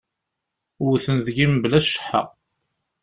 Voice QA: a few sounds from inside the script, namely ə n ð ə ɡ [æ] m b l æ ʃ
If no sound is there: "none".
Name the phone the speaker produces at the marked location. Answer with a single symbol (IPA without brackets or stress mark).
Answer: i